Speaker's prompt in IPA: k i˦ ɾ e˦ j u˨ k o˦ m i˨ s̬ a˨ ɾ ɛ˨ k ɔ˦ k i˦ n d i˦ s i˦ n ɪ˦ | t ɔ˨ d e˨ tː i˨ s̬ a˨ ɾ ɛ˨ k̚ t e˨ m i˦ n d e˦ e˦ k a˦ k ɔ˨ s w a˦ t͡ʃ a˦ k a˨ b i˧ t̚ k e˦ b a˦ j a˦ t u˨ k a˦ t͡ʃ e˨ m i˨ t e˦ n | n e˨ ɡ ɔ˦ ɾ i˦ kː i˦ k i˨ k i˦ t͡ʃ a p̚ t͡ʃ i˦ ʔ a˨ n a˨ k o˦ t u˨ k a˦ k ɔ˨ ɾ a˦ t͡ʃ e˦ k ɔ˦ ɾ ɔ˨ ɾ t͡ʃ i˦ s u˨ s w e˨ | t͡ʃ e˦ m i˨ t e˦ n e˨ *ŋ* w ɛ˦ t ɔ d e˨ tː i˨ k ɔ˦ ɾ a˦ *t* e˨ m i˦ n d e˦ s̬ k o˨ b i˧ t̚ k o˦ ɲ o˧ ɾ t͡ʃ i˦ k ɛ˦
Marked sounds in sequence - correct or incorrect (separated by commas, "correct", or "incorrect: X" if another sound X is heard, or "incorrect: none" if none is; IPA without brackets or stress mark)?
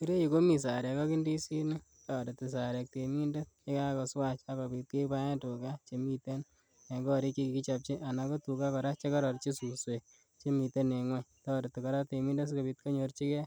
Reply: correct, correct